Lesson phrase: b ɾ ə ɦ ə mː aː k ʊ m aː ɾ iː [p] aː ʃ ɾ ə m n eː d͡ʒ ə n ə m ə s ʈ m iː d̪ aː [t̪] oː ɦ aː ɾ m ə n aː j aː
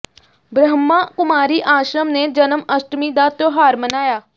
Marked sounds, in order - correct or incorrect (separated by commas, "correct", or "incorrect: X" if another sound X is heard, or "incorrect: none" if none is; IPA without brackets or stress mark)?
incorrect: ʔ, correct